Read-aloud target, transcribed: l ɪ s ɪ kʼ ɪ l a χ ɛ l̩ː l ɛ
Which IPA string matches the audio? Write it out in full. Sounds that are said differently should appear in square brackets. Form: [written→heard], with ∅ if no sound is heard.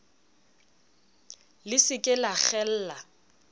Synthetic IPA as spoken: l ɪ s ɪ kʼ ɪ l a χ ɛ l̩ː l [ɛ→a]